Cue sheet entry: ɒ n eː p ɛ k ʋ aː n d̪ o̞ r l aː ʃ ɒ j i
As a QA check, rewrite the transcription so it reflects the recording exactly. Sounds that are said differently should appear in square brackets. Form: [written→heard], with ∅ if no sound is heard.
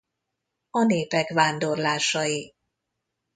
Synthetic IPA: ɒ n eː p ɛ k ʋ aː n d̪ o̞ r l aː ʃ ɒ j i